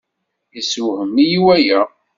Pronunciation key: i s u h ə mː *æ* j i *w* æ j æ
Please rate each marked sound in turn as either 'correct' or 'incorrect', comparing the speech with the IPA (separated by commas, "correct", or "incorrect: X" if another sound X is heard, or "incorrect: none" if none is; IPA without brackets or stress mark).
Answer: incorrect: i, correct